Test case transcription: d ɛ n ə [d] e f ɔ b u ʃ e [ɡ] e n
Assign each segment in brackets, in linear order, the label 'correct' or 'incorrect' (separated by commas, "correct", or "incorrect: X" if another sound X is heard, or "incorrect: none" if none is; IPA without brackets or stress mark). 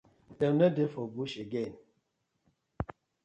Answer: correct, correct